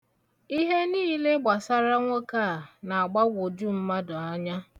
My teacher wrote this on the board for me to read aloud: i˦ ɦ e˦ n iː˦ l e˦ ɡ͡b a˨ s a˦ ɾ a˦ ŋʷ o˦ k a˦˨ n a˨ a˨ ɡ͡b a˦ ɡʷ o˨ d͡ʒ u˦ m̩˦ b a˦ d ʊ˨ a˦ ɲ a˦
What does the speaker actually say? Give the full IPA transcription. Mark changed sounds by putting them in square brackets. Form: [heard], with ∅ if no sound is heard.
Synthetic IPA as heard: i˦ ɦ e˦ n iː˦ l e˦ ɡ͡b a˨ s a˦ ɾ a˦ ŋʷ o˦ k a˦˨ n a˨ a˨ ɡ͡b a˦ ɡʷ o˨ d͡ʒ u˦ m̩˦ [m] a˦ d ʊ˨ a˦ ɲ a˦